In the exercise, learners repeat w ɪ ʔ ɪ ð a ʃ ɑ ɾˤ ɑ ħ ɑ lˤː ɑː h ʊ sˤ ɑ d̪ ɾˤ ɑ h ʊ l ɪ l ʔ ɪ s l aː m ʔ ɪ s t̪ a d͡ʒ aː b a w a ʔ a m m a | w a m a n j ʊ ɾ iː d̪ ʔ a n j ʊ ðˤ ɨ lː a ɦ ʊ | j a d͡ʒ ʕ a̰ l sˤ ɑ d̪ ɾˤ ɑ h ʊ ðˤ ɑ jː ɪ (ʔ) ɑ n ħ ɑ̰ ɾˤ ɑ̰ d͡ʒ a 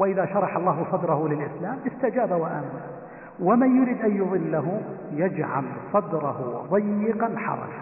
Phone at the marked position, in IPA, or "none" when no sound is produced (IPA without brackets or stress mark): q